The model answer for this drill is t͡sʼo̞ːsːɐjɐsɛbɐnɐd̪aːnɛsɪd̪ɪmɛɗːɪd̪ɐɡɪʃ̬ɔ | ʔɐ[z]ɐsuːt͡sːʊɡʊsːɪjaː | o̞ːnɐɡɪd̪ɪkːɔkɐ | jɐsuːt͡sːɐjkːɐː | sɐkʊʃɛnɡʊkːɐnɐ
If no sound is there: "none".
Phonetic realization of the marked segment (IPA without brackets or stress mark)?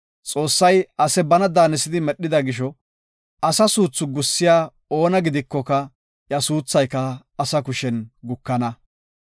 s